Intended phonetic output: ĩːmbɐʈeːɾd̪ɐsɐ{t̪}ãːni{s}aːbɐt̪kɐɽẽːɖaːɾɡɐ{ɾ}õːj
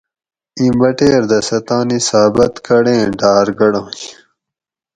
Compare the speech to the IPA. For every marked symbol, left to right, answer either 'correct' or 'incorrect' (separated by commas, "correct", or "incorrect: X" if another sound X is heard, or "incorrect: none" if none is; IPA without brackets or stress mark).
correct, correct, incorrect: ɽ